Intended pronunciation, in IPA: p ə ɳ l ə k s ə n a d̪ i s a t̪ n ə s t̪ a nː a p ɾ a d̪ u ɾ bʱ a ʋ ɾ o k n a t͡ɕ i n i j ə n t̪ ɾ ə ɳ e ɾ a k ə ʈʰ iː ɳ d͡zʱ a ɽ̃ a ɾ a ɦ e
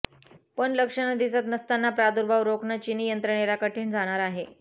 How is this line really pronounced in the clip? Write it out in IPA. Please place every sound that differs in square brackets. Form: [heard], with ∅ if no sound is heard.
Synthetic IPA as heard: p ə ɳ l ə k [ʂ] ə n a d̪ i s a t̪ n ə s t̪ a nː a p ɾ a d̪ u ɾ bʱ a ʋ ɾ o k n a t͡ɕ i n i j ə n t̪ ɾ ə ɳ e ɾ a k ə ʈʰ iː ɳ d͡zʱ a ɽ̃ a ɾ a ɦ e